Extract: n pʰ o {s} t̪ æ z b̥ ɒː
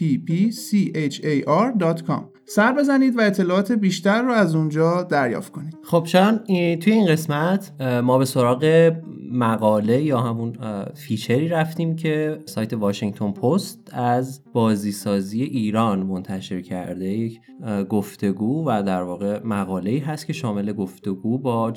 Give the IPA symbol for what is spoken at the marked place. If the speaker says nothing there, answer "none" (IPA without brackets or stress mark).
s